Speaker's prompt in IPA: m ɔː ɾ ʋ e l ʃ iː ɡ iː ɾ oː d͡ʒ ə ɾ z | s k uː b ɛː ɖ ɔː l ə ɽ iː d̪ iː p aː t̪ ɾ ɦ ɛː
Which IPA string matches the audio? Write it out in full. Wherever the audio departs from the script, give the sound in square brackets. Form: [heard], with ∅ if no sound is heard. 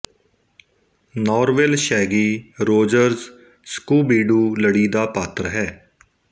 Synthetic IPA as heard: [n] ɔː ɾ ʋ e l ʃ [ɛː] ɡ iː ɾ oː d͡ʒ ə ɾ z | s k uː b [iː] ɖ [uː] l ə ɽ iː d̪ [aː] p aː t̪ ɾ ɦ ɛː